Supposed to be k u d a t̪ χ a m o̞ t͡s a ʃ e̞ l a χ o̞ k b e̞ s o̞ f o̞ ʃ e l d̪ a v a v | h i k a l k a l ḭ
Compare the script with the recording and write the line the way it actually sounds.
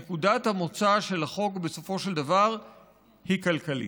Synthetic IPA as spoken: k u d a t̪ h a m o̞ t͡s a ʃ e̞ l a χ o̞ k b e̞ s o̞ f o̞ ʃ e l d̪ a v a ʁ | h i k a l k a l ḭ